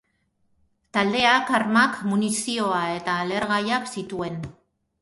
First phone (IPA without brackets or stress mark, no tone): t̪